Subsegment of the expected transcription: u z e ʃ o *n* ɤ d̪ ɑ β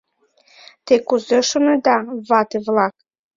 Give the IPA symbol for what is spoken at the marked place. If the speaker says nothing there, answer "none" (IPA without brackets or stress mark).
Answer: n